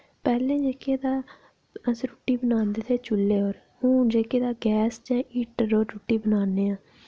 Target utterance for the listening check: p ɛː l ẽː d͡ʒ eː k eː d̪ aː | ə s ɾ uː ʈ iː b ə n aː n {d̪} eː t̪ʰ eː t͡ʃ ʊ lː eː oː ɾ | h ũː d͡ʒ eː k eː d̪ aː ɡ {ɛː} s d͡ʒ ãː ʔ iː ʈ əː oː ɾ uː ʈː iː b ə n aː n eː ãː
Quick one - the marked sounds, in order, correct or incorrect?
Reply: correct, correct

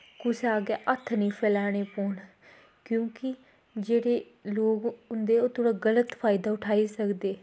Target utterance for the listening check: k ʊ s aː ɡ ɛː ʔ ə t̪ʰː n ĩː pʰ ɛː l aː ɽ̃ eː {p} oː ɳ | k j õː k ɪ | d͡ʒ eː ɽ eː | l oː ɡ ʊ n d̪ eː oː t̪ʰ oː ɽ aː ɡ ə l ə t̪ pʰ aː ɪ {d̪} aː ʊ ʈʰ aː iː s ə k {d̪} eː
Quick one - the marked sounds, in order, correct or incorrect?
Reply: correct, correct, correct

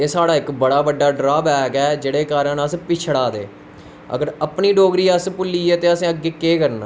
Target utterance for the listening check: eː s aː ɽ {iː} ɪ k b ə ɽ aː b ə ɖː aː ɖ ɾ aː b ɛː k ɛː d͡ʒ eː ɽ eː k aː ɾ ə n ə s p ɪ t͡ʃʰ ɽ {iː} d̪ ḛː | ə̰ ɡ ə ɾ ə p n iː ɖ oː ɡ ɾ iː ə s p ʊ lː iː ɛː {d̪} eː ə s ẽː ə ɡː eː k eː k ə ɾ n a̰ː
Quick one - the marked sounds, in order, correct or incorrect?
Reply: incorrect, incorrect, incorrect

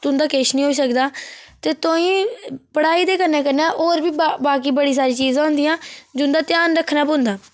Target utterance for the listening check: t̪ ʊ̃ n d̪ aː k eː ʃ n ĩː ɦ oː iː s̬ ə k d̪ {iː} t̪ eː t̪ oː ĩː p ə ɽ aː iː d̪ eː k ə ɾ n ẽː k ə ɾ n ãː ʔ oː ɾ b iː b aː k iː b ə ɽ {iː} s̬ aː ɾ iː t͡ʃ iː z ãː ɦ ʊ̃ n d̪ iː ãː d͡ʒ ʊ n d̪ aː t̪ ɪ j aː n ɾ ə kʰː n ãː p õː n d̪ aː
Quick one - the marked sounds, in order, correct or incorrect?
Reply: incorrect, correct

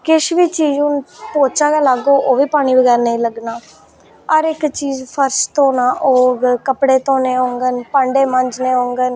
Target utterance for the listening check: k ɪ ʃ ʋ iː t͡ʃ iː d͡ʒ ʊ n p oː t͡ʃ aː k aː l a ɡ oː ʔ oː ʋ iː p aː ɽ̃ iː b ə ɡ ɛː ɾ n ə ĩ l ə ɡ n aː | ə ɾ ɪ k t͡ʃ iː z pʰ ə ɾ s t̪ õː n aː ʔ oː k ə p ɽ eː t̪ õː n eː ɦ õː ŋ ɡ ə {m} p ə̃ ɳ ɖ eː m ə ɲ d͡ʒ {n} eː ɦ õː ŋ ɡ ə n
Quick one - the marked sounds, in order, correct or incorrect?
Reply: incorrect, correct

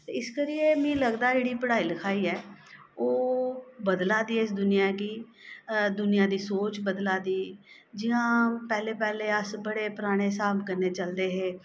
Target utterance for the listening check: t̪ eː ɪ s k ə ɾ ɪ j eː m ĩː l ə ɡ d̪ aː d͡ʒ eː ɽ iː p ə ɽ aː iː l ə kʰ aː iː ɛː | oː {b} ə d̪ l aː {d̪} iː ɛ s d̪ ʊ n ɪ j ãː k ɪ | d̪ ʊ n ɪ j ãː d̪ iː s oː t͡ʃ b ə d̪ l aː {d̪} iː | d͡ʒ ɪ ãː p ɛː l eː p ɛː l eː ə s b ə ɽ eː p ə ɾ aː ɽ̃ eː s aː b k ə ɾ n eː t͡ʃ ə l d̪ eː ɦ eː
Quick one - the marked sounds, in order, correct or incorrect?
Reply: correct, correct, correct

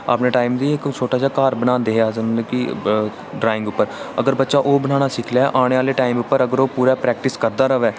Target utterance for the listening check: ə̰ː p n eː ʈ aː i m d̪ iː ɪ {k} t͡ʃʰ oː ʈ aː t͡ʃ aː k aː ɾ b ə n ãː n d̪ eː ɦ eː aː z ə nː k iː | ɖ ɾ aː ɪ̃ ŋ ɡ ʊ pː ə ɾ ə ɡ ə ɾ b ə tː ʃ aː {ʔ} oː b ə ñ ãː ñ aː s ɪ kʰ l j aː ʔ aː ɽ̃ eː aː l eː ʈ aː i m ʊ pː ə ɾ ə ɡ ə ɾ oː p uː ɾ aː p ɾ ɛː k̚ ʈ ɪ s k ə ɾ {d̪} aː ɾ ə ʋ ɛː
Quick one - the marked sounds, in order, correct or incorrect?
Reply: correct, correct, correct

